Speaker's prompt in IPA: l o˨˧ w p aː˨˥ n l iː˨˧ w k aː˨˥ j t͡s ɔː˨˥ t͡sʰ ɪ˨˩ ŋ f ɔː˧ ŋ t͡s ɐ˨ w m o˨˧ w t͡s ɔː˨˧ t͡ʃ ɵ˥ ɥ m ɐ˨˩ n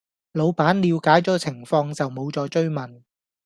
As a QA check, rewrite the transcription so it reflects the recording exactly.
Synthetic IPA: l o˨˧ w p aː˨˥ n l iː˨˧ w k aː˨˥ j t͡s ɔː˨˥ t͡sʰ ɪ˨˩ ŋ f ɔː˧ ŋ t͡s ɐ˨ w m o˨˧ w t͡s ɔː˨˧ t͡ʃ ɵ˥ ɥ m ɐ˨˩ n